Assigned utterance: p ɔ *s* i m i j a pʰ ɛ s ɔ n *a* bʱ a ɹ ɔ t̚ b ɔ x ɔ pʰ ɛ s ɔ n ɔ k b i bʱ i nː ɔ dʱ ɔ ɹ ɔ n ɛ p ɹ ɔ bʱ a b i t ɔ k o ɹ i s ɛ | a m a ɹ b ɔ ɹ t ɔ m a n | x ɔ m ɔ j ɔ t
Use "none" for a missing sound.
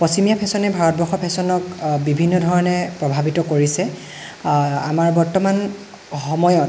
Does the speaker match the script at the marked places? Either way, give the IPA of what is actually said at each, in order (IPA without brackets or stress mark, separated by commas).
s, ɛ